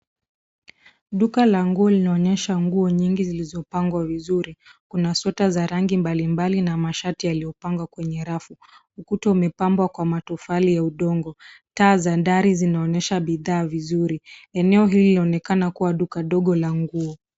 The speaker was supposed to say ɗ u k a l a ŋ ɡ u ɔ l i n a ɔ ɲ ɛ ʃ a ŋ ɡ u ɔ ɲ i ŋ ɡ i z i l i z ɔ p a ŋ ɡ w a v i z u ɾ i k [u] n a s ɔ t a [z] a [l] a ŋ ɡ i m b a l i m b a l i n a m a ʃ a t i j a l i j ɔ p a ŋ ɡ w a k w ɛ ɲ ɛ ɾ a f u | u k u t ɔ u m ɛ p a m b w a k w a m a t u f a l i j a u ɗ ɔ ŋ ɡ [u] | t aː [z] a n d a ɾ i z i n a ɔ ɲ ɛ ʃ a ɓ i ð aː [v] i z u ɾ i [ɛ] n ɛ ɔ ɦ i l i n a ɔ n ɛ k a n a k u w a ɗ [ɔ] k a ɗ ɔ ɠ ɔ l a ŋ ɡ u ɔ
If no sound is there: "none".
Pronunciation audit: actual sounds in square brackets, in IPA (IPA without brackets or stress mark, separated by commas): u, z, ɾ, ɔ, z, v, ɛ, u